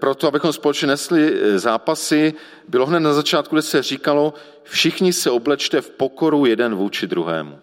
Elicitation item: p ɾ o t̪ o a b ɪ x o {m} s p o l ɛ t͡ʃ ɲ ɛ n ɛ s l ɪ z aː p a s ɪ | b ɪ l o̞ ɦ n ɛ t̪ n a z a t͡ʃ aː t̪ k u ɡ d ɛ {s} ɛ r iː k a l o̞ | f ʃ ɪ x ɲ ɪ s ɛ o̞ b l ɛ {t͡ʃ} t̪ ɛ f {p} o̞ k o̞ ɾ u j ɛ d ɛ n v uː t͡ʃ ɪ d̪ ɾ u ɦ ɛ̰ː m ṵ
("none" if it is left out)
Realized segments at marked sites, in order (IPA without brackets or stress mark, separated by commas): m, s, t͡ʃ, p